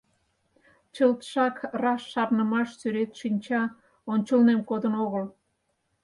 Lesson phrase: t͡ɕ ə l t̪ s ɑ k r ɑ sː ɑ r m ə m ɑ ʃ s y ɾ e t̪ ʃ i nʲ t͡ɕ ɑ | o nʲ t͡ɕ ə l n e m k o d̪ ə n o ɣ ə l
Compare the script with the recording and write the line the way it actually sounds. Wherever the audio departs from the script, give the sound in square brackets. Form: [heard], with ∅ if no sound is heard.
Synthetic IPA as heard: t͡ɕ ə l t̪ [ʃ] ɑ k r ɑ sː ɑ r [n] ə m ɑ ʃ s y ɾ e t̪ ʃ i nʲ t͡ɕ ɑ | o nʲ t͡ɕ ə l n e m k o d̪ ə n o ɣ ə l